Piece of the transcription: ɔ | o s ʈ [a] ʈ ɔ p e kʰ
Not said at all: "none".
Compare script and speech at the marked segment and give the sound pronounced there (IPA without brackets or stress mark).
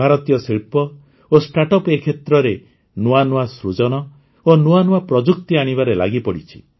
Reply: a